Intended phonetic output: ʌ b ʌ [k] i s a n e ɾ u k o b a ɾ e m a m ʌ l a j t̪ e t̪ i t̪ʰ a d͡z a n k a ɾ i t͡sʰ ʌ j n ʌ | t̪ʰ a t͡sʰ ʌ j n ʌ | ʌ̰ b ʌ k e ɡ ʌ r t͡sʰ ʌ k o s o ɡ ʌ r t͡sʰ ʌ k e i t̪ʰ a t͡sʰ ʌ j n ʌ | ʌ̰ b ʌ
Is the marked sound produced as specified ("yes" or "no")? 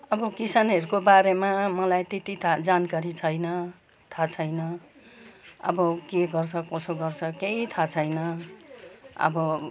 yes